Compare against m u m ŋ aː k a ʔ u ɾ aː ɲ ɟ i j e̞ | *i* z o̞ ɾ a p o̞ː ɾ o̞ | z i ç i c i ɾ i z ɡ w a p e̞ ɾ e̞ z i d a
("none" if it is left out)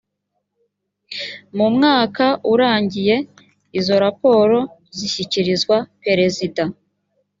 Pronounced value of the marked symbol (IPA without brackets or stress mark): i